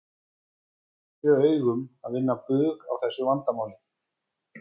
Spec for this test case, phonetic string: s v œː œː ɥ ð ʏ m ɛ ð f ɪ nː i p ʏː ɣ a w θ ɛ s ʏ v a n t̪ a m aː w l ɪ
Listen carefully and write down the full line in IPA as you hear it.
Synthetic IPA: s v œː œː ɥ ɣ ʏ m a ð v ɪ nː a p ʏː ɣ a w θ ɛ sː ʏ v a n t̪ a m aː w l ɪ